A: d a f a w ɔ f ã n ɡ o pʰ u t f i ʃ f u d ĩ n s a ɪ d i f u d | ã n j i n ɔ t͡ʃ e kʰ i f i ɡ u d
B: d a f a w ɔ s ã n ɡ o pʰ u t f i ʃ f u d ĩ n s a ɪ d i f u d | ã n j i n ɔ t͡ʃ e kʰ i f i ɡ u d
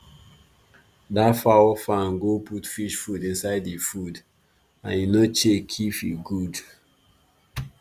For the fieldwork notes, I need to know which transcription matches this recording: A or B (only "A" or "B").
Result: A